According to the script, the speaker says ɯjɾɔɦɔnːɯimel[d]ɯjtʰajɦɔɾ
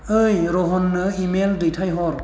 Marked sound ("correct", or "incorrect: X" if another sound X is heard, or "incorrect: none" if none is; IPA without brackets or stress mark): correct